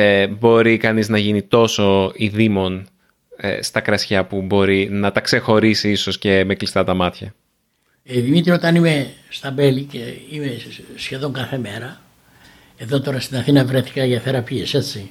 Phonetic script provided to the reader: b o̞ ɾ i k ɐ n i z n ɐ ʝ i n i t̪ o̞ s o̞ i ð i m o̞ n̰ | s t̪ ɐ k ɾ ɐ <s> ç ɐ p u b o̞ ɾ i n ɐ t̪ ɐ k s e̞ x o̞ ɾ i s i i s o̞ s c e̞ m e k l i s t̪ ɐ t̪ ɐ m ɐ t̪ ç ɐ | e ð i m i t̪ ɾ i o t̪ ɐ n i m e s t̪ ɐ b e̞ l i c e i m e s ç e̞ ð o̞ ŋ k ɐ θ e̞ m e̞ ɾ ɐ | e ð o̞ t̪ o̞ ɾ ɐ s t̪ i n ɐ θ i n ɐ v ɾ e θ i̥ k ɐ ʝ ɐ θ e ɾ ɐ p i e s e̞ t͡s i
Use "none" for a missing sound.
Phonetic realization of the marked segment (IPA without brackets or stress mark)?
s